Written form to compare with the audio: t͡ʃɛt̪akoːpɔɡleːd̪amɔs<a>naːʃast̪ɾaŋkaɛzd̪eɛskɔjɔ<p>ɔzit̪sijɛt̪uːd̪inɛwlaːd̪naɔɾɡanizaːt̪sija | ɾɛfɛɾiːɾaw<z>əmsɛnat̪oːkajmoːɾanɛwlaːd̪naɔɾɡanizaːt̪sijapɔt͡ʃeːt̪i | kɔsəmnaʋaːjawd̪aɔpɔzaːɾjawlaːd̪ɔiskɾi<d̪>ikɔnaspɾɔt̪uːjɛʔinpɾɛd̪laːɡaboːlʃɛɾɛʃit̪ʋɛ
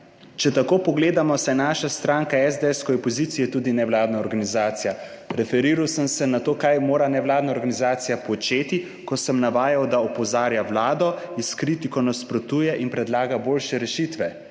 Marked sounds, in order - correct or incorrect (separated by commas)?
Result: incorrect, correct, incorrect, incorrect